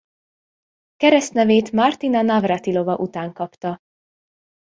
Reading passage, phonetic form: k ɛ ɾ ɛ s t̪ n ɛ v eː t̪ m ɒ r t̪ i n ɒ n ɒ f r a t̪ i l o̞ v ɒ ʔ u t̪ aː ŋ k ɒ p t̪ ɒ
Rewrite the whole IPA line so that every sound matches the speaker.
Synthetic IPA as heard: k ɛ ɾ ɛ s t̪ n ɛ v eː t̪ m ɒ r t̪ i n ɒ n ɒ v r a t̪ i l o̞ v ɒ ʔ u t̪ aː ŋ k ɒ p t̪ ɒ